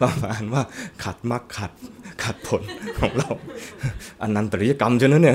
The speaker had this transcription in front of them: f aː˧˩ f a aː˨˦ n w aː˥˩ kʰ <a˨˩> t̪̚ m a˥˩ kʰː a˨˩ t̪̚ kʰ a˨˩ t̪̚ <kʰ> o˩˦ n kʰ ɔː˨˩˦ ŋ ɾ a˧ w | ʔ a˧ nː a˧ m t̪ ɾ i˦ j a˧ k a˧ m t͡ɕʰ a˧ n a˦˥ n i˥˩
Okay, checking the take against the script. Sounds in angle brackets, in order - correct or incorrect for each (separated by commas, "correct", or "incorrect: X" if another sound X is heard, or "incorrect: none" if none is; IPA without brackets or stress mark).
correct, incorrect: pʰ